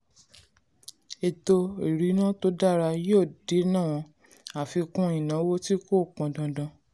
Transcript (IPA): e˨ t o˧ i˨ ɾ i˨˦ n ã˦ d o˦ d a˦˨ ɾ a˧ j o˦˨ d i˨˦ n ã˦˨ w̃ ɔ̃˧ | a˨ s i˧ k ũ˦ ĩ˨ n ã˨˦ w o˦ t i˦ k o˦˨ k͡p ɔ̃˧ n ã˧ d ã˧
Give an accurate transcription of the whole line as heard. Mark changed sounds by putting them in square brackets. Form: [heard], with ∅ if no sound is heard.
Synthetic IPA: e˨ t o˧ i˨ ɾ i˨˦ n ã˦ [t] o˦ d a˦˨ ɾ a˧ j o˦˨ d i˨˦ n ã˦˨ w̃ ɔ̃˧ | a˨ [f] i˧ k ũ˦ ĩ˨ n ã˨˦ w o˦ t i˦ k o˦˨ k͡p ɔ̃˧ [d] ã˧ d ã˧